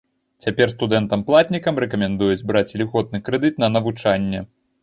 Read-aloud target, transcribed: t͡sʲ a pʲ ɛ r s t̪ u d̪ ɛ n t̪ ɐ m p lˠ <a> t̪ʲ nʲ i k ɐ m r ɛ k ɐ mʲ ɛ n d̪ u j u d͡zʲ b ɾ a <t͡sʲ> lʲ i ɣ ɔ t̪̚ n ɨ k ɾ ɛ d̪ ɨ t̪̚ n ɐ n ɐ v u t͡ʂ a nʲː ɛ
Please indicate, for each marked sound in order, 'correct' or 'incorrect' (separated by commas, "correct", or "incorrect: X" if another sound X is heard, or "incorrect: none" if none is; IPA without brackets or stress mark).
correct, correct